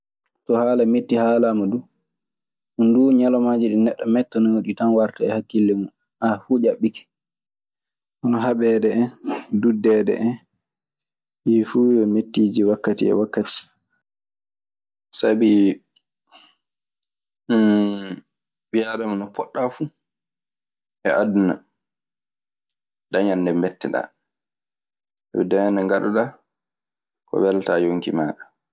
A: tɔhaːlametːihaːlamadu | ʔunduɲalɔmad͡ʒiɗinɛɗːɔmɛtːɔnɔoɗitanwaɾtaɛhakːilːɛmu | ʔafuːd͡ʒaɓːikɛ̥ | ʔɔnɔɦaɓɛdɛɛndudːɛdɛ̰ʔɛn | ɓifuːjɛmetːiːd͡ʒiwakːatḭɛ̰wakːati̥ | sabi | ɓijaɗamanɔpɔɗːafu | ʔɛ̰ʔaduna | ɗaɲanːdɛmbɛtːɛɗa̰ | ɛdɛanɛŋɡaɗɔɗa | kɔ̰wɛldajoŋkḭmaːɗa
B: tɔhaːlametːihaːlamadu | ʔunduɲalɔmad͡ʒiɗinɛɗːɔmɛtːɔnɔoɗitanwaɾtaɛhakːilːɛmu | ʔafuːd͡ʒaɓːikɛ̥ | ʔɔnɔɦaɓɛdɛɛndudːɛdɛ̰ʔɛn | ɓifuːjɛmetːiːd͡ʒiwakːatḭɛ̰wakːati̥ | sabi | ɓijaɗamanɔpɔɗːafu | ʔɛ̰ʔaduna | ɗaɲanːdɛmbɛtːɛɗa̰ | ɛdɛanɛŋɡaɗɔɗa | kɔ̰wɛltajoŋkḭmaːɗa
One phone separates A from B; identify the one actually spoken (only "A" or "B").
B